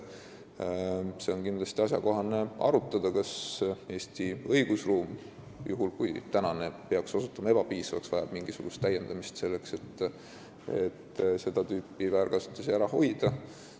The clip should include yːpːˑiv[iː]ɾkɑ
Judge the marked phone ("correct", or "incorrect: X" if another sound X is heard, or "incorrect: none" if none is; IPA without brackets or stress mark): incorrect: æː